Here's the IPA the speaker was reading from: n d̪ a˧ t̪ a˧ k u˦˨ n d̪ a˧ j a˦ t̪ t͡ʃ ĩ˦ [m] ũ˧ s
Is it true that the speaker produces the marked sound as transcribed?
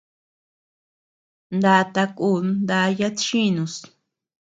no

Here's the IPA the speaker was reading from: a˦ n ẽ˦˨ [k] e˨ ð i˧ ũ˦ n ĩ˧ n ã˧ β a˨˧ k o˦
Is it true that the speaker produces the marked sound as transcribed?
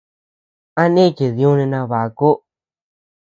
yes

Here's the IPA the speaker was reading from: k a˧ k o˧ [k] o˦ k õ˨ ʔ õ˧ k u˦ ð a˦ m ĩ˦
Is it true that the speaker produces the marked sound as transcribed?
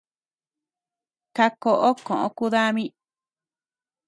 no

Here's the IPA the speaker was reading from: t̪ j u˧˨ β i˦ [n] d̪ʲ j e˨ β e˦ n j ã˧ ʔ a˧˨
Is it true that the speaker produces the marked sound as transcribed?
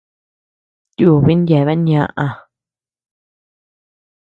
yes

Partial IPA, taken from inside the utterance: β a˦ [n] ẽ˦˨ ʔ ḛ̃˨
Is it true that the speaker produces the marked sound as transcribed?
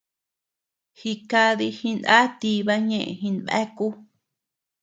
no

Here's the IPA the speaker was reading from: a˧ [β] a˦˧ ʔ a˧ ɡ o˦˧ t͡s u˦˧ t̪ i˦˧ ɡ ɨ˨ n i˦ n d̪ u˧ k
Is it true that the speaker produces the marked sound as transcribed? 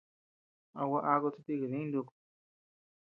no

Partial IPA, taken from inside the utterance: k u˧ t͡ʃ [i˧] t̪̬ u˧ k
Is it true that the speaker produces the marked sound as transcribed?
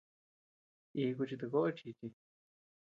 yes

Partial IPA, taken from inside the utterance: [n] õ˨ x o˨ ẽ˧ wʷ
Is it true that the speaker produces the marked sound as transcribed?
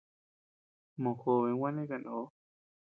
no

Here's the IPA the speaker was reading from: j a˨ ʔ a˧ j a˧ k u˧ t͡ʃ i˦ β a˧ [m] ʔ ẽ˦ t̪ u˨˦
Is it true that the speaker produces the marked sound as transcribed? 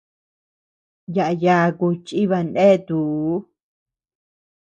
no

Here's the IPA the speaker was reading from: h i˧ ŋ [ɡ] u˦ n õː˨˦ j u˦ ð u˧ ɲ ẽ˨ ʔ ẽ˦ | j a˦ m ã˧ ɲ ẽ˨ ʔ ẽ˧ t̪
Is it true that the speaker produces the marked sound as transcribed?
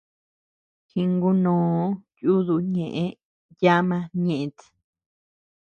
yes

